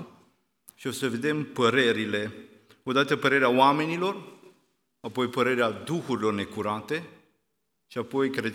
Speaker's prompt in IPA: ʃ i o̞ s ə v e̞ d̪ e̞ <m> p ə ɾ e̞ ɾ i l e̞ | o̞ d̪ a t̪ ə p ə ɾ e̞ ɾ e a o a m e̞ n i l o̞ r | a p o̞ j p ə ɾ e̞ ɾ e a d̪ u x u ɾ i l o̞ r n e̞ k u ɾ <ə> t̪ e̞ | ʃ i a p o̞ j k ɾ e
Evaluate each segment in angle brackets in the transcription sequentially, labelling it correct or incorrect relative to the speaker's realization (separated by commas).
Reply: correct, incorrect